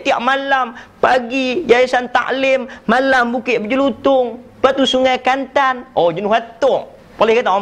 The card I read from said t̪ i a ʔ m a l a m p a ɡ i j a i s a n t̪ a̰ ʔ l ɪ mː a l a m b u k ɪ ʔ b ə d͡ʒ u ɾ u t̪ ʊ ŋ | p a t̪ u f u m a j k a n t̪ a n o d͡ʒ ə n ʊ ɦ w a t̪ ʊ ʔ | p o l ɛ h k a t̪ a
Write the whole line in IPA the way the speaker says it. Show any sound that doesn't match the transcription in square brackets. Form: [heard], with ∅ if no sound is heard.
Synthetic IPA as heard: t̪ i a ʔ m a l a m p a ɡ i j a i s a n t̪ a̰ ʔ l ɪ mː a l a m b u k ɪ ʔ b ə d͡ʒ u [l] u t̪ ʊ ŋ | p a t̪ u [s] u [ŋ] a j k a n t̪ a n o d͡ʒ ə n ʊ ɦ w a t̪ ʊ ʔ | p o l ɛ h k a t̪ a